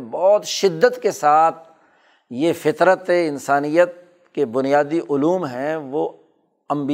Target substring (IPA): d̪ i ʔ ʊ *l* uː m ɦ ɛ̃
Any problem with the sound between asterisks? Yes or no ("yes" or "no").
no